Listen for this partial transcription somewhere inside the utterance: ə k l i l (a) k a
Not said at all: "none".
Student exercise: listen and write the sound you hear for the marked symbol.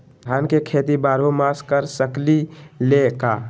e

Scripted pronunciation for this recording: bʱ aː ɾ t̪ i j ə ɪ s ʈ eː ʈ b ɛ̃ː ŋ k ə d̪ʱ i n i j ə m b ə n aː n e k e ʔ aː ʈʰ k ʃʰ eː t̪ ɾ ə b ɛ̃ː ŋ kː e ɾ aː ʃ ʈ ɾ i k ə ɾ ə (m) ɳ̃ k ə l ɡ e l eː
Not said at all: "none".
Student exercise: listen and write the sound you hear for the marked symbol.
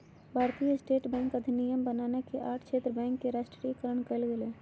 none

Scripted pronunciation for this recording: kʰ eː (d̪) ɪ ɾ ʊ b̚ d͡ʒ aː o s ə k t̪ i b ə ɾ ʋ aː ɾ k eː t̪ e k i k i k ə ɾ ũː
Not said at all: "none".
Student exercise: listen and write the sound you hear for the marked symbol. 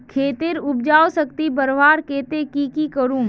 t̪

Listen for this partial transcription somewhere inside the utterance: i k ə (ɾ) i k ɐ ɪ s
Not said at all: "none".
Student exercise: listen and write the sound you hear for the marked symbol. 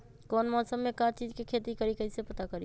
ɾ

